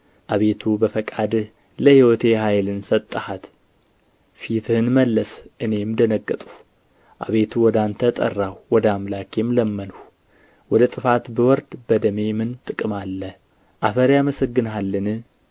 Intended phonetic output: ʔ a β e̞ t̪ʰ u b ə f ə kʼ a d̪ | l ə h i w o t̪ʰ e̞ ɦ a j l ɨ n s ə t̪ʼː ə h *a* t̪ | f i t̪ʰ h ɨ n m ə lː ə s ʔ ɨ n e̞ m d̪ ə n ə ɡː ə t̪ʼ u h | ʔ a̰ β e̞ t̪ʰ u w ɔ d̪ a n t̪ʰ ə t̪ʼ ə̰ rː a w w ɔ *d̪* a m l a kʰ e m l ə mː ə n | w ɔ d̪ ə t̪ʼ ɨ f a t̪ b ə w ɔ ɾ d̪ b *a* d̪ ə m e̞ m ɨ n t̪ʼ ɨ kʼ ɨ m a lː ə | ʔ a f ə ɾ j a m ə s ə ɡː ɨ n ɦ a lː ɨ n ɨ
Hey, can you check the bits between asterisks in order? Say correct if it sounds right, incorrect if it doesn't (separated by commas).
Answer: correct, correct, incorrect